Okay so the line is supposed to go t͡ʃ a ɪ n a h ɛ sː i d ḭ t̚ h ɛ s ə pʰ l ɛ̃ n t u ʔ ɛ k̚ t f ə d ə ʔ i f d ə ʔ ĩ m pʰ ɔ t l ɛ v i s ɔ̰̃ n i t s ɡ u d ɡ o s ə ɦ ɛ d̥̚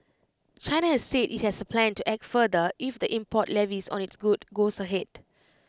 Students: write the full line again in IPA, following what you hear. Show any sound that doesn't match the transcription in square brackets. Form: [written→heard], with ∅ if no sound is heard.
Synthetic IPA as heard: t͡ʃ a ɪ n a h ɛ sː [i→e] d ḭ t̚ h ɛ s ə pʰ l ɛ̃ n t u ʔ ɛ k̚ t f ə d ə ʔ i f d ə ʔ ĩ m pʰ ɔ t l ɛ v i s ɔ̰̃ n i t s ɡ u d ɡ o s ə ɦ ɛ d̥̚